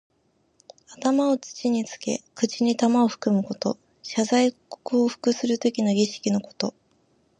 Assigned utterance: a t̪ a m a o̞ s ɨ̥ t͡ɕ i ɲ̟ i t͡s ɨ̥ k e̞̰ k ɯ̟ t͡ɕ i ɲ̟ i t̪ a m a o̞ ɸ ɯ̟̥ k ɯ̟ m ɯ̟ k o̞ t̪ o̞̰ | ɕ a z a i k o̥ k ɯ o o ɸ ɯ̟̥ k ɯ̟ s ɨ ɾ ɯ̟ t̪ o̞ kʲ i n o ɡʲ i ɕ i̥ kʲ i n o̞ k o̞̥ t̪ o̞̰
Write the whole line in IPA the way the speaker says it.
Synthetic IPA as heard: a t̪ a m a o̞ t͡s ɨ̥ t͡ɕ i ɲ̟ i t͡s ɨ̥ k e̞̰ k ɯ̟ t͡ɕ i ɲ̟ i t̪ a m a o̞ ɸ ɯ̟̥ k ɯ̟ m ɯ̟ k o̞ t̪ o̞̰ | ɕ a z a i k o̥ k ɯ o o ɸ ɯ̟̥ k ɯ̟ s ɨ ɾ ɯ̟ t̪ o̞ kʲ i n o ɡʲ i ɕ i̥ kʲ i n o̞ k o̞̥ t̪ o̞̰